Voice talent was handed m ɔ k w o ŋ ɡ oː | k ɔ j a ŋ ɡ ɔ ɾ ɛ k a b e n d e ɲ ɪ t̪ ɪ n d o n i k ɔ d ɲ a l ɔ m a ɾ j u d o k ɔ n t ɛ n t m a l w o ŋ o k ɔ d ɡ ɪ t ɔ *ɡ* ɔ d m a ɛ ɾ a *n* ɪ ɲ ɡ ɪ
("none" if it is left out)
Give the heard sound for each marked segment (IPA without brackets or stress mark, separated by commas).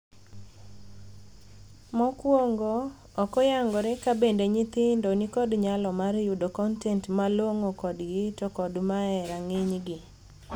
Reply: k, ŋ